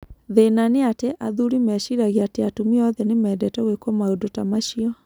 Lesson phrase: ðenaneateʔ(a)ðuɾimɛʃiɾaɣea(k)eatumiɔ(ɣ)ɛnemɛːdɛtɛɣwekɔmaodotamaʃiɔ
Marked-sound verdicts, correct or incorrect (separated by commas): correct, incorrect, incorrect